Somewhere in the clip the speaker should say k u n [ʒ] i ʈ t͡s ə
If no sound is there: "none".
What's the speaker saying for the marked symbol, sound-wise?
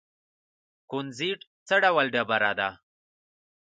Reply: z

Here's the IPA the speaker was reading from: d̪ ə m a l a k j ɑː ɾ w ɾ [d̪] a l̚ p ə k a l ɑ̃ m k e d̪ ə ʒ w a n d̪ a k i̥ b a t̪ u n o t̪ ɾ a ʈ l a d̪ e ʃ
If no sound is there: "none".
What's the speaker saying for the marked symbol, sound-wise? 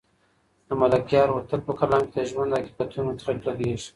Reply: t̪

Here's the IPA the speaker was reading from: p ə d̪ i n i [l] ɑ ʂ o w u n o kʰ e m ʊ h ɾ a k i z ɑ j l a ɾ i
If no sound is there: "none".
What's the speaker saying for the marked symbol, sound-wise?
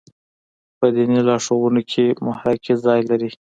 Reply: l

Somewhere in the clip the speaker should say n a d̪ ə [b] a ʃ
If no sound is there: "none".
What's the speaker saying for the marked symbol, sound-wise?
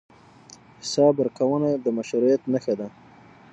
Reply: m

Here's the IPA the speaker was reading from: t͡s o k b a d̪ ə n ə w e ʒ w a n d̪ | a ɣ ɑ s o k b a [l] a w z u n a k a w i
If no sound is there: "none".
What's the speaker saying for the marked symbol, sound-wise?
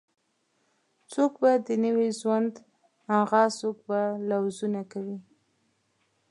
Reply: l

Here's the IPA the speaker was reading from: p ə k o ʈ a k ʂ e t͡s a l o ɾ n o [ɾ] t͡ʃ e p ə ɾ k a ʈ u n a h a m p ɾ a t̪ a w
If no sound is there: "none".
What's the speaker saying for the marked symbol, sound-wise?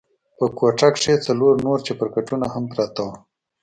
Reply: ɾ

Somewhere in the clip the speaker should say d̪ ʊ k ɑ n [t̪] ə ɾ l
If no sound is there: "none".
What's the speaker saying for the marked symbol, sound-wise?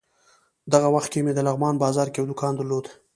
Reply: d̪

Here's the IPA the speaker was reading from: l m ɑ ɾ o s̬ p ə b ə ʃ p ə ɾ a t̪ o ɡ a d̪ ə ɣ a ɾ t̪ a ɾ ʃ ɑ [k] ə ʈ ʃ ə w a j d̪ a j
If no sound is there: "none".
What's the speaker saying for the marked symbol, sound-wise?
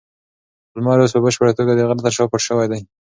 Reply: p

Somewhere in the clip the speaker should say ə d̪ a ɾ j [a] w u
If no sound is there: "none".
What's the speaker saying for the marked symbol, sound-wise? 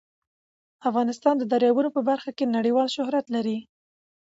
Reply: ɑ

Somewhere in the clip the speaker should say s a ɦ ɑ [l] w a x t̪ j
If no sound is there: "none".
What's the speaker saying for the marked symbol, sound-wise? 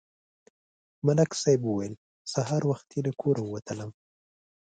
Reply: ɾ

